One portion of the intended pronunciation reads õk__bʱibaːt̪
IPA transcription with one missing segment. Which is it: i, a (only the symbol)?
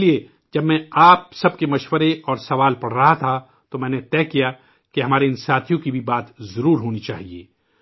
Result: i